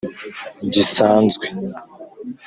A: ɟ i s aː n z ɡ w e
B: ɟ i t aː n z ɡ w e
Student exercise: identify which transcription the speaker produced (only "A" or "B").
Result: A